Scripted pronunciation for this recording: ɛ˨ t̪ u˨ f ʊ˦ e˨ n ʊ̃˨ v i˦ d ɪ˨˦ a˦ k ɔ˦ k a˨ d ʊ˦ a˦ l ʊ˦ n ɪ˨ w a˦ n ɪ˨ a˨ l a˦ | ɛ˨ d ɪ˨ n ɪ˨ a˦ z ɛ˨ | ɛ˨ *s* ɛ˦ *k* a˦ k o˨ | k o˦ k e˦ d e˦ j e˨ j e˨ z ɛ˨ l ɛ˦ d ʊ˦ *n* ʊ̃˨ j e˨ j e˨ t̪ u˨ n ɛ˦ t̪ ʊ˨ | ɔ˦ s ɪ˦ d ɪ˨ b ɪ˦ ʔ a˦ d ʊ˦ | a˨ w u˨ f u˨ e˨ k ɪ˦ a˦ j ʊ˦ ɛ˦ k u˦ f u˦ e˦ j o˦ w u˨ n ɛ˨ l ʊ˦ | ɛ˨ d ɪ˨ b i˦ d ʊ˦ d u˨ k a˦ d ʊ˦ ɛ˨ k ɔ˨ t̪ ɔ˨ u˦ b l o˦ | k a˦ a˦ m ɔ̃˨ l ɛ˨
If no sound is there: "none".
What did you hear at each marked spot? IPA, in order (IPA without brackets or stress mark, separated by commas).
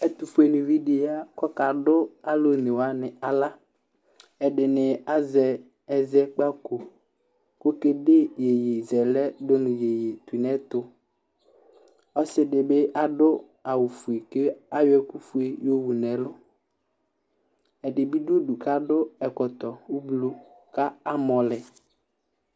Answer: z, k͡p, n